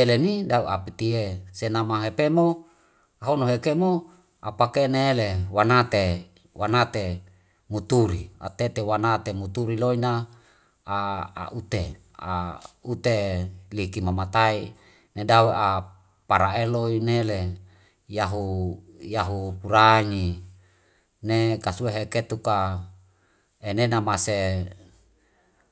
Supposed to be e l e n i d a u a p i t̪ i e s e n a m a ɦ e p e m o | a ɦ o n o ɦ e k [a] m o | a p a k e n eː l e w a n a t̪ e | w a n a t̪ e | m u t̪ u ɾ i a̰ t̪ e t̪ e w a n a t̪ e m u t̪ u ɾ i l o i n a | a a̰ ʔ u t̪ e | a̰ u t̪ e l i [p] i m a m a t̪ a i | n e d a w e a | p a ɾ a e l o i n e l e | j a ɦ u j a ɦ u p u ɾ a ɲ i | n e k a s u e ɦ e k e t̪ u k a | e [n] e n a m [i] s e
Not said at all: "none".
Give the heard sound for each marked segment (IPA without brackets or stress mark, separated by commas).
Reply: e, k, n, a